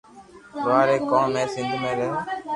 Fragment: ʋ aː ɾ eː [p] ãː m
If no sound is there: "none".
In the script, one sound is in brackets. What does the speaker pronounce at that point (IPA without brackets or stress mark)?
k